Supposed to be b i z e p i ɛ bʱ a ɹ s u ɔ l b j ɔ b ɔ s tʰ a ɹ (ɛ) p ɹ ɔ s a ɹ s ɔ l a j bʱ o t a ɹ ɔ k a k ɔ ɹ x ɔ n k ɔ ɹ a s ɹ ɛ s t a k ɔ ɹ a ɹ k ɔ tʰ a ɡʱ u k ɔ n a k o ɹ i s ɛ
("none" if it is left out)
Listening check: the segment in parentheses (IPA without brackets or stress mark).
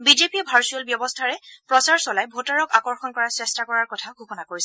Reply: ɛ